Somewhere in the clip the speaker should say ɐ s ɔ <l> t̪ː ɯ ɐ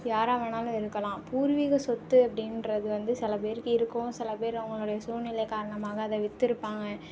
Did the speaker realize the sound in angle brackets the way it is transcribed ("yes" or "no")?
no